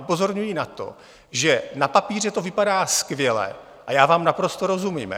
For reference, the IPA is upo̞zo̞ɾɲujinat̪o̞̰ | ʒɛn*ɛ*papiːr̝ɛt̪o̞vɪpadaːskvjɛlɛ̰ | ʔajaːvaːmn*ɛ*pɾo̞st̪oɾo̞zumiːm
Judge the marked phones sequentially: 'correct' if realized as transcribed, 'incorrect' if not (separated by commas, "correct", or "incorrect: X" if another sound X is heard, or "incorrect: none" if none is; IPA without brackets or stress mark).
incorrect: a, incorrect: a